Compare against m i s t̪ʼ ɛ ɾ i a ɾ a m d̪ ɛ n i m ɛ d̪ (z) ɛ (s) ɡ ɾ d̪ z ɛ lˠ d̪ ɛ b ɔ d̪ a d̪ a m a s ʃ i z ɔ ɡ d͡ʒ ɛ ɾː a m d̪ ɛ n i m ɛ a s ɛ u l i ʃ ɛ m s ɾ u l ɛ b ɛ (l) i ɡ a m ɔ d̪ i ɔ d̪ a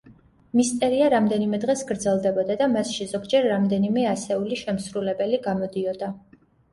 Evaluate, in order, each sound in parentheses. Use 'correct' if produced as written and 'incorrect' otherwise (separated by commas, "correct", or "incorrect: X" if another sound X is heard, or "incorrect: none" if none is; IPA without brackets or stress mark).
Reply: incorrect: ʁ, correct, correct